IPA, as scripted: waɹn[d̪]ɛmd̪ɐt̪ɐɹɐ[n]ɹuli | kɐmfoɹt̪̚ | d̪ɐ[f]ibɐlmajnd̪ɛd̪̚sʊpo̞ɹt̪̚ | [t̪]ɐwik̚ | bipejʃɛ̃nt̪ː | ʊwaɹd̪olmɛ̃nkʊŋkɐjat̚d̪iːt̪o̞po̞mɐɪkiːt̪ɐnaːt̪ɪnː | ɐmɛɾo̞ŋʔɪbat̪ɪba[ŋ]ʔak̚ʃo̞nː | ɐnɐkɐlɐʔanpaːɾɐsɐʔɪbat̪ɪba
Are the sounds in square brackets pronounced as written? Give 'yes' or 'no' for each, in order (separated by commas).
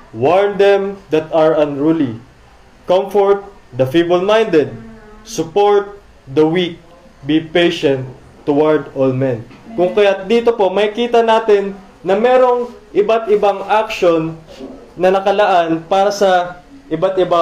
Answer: yes, yes, yes, no, yes